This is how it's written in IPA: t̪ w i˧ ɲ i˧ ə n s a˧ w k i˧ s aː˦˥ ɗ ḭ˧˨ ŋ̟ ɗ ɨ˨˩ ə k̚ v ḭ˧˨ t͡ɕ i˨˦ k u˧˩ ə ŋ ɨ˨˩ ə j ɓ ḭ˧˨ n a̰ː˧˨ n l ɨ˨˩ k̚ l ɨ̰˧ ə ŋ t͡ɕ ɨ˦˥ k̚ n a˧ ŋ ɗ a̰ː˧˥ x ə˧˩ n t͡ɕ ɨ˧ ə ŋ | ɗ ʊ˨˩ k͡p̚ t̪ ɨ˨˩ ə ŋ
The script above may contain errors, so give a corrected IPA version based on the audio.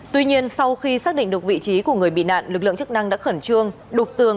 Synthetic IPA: t̪ w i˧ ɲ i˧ ə n s a˧ w x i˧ s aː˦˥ ɗ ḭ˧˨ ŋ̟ ɗ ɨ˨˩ ə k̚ v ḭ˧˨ t͡ɕ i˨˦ k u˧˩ ə ŋ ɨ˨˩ ə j ɓ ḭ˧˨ n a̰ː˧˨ n l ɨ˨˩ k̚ l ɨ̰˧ ə ŋ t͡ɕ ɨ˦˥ k̚ n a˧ ŋ ɗ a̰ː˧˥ x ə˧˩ n t͡ɕ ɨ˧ ə ŋ | ɗ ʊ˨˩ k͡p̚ t̪ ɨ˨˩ ə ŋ